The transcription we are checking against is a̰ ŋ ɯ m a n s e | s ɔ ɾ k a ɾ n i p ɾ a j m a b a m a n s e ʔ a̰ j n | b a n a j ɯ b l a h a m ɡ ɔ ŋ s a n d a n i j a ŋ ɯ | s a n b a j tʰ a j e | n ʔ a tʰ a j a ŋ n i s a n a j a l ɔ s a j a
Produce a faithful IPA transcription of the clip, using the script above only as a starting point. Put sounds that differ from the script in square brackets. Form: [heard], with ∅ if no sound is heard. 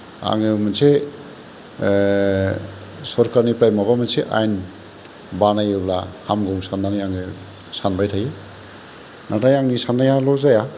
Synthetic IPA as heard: a̰ ŋ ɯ m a n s e | s ɔ ɾ k a ɾ n i p ɾ a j m a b a m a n s e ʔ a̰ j n | b a n a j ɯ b l a h a m ɡ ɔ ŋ s a n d a n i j a ŋ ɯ | s a n b a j tʰ a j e | n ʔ a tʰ a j a ŋ n i s a n a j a l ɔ [z] a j a

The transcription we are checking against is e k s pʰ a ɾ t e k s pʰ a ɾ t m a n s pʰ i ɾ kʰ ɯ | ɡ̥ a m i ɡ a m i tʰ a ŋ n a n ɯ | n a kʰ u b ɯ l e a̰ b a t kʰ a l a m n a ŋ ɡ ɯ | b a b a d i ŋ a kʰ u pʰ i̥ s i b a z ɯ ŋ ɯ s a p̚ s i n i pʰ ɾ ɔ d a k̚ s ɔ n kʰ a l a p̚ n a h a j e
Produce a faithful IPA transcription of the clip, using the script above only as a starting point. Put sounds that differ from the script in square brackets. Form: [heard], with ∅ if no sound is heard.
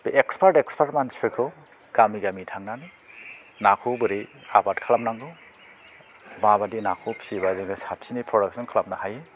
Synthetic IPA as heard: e k s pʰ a ɾ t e k s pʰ a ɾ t m a n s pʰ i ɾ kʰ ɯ | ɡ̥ a m i ɡ a m i tʰ a ŋ n a n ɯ | n a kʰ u b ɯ [ɾ] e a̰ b a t kʰ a l a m n a ŋ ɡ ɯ | b a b a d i [n] a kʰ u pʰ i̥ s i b a z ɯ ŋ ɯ s a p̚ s i n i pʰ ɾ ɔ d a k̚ s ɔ n kʰ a l a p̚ n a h a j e

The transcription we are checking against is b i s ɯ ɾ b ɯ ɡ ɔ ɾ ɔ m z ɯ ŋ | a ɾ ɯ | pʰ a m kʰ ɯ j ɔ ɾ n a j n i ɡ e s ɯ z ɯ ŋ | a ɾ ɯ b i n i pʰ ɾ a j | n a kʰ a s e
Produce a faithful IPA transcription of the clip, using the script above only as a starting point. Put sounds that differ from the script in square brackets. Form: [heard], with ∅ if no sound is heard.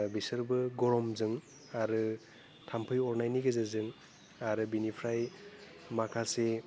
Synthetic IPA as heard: b i s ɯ ɾ b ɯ ɡ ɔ ɾ ɔ m z ɯ ŋ | a ɾ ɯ | [tʰ] a m [pʰ] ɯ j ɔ ɾ n a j n i ɡ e [z] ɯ z ɯ ŋ | a ɾ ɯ b i n i pʰ ɾ a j | [m] a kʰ a s e

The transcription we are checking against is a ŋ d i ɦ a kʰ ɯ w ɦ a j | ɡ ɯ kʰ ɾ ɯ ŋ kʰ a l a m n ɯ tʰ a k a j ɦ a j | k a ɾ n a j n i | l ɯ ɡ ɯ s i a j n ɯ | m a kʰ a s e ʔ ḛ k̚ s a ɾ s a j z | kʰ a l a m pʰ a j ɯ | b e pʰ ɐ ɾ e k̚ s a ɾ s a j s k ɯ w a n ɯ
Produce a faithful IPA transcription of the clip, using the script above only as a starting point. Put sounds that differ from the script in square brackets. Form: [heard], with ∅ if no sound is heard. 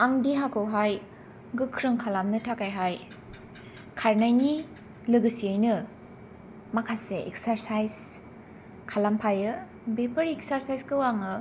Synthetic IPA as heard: a ŋ d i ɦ a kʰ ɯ w ɦ a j | ɡ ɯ kʰ ɾ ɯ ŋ kʰ a l a m n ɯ tʰ a k a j ɦ a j | [kʰ] a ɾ n a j n i | l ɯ ɡ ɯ s i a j n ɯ | m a kʰ a s e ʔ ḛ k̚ s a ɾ s a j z | kʰ a l a m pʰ a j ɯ | b e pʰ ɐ ɾ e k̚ s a ɾ s a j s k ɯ w a [ŋ] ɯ

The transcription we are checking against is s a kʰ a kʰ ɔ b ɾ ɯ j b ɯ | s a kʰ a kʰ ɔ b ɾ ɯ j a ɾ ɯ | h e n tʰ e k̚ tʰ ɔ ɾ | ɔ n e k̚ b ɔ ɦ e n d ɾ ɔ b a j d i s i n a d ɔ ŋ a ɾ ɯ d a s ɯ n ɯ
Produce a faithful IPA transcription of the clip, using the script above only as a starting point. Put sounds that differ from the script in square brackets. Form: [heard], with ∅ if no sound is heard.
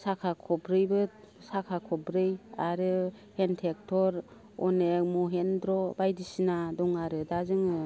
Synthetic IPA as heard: s a kʰ a kʰ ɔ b ɾ ɯ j b ɯ | s a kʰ a kʰ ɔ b ɾ ɯ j a ɾ ɯ | h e n tʰ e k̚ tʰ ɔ ɾ | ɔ n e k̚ [m] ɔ ɦ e n d ɾ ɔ b a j d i s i n a d ɔ ŋ a ɾ ɯ d a [z] ɯ [ŋ] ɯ

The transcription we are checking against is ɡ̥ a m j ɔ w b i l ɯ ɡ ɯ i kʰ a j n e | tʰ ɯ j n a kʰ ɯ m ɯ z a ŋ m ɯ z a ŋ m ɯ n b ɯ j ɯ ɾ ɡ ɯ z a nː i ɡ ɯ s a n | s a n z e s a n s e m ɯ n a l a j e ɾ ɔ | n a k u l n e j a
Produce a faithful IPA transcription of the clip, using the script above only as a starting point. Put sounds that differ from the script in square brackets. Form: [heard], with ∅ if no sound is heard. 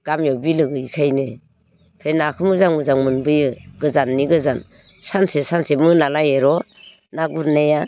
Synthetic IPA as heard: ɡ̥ a m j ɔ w b i l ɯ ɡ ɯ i kʰ a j n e | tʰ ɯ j n a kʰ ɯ m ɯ z a ŋ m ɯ z a ŋ m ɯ n b ɯ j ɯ [∅] ɡ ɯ z a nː i ɡ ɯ [z] a n | s a n [s] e s a n s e m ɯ n a l a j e ɾ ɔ | n a [ɡ] u [ɾ] n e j a

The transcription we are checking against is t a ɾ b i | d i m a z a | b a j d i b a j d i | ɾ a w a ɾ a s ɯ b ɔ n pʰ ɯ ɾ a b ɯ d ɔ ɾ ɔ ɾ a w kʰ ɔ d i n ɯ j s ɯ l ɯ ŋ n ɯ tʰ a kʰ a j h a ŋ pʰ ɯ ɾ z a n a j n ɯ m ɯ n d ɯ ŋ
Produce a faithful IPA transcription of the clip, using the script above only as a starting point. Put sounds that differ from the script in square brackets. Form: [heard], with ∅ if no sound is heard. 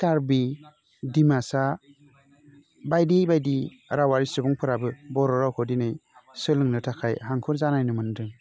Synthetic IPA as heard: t a ɾ b i | d i m a [s] a | b a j d i b a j d i | ɾ a w a ɾ [i] s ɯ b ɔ [ŋ] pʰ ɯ ɾ a b ɯ [b] ɔ ɾ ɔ ɾ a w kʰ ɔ d i n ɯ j s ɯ l ɯ ŋ n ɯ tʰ a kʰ a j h a ŋ [kʰ] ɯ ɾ z a n a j n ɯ m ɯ n d ɯ ŋ

